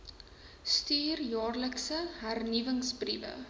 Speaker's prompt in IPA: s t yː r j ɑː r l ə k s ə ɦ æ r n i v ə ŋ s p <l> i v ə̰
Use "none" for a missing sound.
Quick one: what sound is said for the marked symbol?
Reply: r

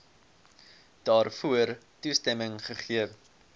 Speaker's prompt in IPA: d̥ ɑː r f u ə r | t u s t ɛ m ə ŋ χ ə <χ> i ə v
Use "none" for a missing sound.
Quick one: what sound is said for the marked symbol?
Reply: χ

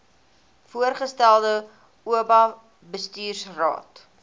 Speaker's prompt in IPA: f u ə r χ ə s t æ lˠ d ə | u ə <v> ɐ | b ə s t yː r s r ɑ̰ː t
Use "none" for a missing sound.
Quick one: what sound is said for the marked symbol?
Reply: b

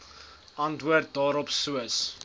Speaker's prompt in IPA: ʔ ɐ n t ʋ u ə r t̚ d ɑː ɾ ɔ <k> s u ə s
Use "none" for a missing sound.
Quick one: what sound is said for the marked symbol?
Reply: p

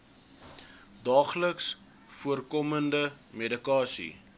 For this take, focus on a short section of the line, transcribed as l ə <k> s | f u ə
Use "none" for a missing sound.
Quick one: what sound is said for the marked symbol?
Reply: k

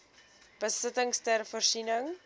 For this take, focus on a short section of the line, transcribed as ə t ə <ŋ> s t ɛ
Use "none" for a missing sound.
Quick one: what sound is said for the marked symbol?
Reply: ŋ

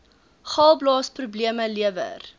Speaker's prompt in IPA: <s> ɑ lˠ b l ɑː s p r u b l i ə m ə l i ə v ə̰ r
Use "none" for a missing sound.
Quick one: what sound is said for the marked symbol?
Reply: χ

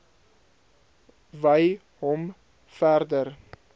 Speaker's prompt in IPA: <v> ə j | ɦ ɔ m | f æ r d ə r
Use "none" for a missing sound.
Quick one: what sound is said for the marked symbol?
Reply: v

